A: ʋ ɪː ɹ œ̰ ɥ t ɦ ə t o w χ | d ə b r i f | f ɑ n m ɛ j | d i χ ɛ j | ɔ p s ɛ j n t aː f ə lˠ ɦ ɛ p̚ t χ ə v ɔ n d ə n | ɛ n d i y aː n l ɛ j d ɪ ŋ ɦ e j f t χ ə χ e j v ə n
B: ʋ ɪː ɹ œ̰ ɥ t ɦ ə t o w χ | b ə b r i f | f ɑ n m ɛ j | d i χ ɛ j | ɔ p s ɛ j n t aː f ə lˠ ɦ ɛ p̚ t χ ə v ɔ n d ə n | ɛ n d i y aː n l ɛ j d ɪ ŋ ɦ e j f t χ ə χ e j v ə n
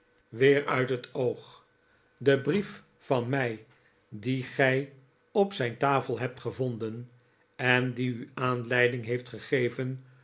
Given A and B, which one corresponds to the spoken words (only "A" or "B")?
A